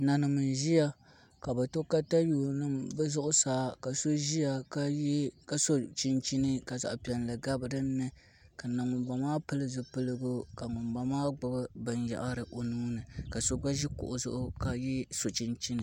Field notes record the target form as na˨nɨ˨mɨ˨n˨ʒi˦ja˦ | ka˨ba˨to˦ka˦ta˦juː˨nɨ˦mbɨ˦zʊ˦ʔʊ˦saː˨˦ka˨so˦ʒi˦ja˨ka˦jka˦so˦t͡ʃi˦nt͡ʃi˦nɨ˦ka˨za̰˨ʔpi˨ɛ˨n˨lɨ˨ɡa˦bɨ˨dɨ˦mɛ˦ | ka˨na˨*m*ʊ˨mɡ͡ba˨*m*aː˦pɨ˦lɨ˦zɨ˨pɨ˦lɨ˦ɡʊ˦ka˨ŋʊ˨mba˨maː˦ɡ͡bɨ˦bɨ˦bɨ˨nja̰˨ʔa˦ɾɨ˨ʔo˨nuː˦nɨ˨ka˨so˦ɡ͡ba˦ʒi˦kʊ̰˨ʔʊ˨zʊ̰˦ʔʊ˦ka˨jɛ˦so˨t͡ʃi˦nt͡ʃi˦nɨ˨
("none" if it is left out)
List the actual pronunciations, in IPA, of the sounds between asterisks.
ŋ, m

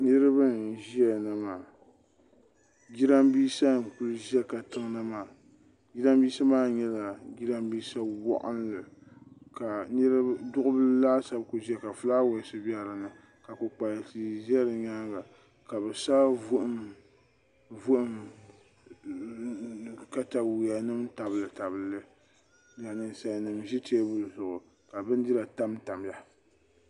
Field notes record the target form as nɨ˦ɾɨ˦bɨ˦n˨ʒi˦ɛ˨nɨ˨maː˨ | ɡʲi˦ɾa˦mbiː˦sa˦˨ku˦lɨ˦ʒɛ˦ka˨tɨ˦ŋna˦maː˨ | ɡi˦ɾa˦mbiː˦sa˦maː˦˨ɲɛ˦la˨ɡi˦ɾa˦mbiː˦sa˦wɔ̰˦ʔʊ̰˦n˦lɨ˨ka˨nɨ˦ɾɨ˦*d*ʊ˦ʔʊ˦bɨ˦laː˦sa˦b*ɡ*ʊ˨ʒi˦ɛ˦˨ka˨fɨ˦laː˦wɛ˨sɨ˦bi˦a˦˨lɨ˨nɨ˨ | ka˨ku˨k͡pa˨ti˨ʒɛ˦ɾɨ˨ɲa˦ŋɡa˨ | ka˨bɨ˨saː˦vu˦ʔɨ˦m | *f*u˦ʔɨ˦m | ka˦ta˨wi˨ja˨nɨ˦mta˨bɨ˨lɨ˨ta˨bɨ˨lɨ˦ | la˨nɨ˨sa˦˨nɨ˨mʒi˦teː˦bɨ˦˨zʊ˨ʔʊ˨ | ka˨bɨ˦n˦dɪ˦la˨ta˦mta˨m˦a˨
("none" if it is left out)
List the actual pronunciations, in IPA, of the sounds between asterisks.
d, k, v

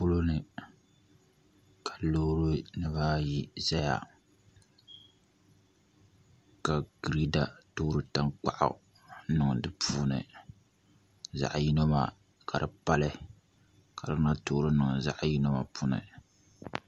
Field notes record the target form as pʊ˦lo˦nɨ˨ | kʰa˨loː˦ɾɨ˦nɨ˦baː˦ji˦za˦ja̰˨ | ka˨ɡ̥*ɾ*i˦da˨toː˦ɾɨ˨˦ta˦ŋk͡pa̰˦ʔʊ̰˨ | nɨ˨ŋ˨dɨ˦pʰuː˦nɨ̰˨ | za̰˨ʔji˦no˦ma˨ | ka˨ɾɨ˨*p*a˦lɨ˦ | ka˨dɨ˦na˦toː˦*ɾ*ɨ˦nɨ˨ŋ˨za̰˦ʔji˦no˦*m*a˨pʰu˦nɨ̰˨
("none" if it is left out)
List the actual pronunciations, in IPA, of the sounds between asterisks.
ɾ, p, ɾ, m

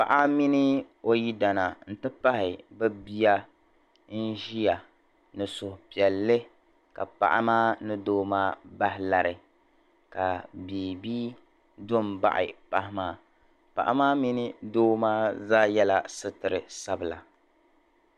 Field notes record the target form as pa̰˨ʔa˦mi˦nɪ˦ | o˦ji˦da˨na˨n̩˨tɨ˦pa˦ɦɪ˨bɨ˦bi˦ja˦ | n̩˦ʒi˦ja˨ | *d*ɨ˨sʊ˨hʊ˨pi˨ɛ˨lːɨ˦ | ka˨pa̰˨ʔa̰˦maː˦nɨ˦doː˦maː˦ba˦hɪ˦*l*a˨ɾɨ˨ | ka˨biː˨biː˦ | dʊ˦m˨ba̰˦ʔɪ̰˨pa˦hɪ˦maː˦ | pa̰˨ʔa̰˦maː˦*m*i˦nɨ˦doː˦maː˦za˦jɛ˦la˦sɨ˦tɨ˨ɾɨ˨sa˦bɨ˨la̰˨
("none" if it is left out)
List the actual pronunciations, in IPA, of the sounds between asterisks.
n, l, m

